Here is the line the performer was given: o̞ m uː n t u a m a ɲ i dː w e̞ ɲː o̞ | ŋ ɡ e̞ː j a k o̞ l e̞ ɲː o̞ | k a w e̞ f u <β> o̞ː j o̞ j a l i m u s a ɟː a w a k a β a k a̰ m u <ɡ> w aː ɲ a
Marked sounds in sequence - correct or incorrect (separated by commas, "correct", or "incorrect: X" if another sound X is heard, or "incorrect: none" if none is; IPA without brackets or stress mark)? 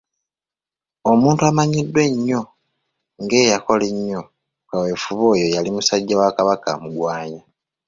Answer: correct, correct